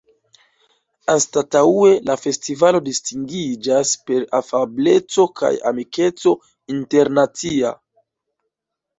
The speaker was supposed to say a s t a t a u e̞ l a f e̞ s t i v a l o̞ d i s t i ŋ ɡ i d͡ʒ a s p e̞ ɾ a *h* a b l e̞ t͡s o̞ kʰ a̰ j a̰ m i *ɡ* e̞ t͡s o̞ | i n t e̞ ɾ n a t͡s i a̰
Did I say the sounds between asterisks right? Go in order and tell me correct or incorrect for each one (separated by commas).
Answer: incorrect, incorrect